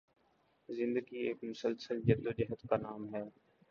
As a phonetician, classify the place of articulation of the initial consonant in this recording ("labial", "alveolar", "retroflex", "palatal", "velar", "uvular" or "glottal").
alveolar